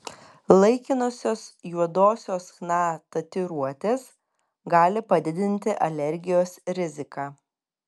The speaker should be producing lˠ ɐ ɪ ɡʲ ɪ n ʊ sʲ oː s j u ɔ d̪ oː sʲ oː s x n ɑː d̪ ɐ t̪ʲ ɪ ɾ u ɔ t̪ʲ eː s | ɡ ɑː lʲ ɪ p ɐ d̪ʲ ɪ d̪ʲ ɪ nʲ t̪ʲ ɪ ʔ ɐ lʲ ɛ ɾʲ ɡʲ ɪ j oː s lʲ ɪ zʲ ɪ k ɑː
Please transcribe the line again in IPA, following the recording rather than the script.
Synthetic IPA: lˠ ɐ ɪ kʲ ɪ n ʊ sʲ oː s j u ɔ d̪ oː sʲ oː s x n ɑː t̪ ɐ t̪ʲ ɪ ɾ u ɔ t̪ʲ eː s | ɡ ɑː lʲ ɪ p ɐ d̪ʲ ɪ d̪ʲ ɪ nʲ t̪ʲ ɪ ʔ ɐ lʲ ɛ ɾʲ ɡʲ ɪ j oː s ɾʲ ɪ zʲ ɪ k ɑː